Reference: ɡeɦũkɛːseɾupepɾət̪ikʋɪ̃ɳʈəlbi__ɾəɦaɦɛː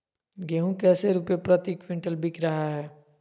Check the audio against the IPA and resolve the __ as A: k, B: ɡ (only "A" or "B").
A